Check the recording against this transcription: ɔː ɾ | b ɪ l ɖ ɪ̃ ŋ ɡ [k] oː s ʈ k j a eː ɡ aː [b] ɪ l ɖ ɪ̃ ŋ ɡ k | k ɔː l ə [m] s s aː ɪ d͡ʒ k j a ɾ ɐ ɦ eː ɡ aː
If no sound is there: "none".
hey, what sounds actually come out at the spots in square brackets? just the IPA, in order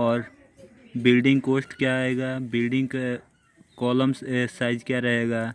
k, b, m

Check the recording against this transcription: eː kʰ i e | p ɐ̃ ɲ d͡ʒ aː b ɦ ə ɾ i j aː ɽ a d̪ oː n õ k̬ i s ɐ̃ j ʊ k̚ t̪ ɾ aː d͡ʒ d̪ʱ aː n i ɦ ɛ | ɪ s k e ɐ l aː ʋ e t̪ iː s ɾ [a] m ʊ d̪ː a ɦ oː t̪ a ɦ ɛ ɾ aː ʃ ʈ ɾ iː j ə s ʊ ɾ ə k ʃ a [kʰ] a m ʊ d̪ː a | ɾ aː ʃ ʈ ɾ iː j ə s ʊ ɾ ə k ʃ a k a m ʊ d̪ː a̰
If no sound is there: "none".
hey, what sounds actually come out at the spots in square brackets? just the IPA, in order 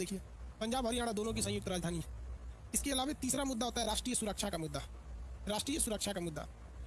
a, k

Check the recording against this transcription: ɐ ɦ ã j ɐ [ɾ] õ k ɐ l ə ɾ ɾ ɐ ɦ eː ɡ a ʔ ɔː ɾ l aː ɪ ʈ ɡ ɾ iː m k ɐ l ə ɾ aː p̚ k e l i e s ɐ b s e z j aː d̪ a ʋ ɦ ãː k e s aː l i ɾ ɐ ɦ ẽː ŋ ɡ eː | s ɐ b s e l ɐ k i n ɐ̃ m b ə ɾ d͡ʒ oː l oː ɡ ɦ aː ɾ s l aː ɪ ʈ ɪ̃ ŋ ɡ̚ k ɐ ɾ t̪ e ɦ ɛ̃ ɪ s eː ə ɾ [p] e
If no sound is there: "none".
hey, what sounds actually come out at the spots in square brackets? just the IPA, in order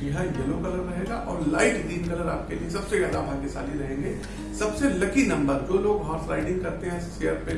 l, p

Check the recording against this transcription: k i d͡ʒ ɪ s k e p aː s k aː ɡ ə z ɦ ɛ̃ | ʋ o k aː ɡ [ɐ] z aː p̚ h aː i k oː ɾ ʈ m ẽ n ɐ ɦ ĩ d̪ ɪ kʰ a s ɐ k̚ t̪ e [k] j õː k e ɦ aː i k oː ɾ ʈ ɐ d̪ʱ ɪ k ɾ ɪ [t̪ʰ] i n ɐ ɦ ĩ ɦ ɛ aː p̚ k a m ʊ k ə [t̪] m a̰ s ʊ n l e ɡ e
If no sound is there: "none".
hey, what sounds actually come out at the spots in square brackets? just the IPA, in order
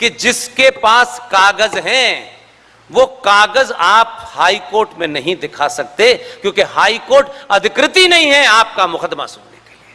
ə, k, t̪, d̪

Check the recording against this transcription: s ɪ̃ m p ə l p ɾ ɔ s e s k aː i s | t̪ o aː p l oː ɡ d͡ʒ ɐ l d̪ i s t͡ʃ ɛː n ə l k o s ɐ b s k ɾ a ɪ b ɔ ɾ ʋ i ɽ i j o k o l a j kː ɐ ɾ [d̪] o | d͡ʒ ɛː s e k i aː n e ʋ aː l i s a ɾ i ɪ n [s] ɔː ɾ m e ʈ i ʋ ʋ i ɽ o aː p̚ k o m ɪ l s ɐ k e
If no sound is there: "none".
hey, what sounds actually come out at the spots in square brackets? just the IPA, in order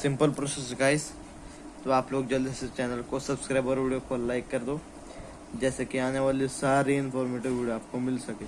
d̪, f

